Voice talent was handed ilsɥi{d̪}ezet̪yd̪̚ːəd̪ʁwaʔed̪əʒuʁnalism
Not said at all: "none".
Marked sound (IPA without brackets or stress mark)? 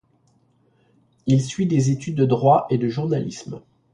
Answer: d̪